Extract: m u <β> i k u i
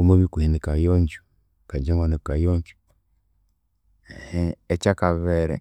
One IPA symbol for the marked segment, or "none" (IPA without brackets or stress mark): β